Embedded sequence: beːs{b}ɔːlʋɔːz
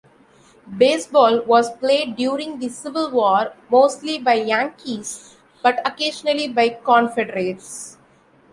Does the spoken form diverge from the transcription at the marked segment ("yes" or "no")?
no